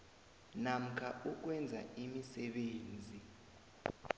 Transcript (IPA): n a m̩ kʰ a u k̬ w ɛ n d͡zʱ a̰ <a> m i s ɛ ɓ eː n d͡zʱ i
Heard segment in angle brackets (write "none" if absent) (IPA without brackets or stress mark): i